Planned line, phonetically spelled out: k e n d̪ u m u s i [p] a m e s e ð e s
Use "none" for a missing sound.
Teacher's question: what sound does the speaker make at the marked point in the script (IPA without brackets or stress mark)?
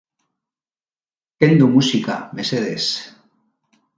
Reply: k